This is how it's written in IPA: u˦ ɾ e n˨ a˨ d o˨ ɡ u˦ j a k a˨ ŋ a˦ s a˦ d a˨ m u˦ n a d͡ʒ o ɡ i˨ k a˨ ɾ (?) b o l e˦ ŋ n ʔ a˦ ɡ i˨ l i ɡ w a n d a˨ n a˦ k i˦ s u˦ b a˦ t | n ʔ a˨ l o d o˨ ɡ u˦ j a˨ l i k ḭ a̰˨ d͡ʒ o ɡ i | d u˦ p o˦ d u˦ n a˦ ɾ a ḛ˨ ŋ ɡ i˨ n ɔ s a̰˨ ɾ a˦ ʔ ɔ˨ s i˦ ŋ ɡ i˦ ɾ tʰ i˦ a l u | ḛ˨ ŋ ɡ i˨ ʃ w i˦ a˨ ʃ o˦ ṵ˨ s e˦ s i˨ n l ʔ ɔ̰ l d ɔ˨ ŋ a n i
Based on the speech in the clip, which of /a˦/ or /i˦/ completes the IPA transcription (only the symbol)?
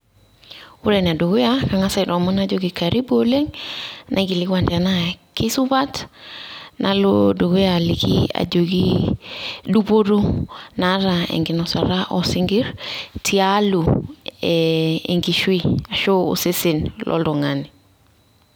i˦